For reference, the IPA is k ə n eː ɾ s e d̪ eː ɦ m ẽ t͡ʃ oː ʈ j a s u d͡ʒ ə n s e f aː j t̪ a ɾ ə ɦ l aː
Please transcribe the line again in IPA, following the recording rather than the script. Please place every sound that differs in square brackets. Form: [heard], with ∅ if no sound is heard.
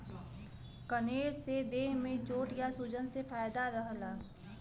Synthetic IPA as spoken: k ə n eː ɾ s e d̪ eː ɦ m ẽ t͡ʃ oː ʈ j a s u d͡ʒ ə n s e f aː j [d̪] a ɾ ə ɦ l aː